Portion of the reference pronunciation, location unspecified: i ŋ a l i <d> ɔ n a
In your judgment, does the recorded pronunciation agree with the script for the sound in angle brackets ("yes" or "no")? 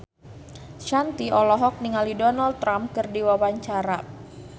yes